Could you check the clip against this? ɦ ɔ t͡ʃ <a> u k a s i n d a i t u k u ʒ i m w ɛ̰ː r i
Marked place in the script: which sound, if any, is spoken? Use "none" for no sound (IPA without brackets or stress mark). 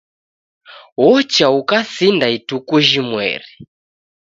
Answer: a